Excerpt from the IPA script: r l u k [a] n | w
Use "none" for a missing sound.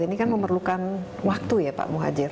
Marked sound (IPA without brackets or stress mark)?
a